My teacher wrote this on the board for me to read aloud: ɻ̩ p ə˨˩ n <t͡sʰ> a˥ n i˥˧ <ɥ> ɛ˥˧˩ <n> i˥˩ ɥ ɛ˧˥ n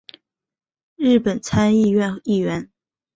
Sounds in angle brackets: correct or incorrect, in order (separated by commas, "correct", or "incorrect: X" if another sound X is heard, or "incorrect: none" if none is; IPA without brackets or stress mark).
correct, correct, correct